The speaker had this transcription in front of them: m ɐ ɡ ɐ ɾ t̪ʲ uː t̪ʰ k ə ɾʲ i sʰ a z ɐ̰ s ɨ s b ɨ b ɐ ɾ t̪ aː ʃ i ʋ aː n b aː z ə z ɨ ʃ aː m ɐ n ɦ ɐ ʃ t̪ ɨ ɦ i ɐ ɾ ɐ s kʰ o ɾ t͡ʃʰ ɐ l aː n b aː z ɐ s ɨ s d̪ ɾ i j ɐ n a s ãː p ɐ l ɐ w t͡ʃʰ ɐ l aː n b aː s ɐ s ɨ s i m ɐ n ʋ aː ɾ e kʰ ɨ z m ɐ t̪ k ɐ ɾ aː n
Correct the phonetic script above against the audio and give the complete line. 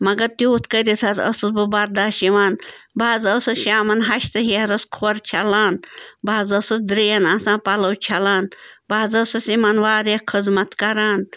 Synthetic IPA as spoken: m ɐ ɡ ɐ ɾ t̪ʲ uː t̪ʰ k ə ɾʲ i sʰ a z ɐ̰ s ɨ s b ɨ b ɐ ɾ d̪ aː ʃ i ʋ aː n b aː z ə s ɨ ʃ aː m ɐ n ɦ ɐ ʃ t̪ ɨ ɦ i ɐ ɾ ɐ s kʰ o ɾ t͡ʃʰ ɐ l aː n b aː z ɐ s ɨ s d̪ ɾ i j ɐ n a s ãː p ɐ l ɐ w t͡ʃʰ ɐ l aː n b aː z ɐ s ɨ s i m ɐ n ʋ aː ɾ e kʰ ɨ z m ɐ t̪ k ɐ ɾ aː n